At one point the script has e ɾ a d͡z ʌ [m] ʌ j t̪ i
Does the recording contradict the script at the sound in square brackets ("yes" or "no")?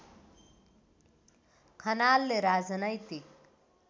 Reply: yes